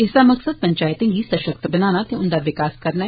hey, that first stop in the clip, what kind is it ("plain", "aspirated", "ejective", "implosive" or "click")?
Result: plain